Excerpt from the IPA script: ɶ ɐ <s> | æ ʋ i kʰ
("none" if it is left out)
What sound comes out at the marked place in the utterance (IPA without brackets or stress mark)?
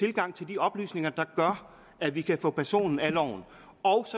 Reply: none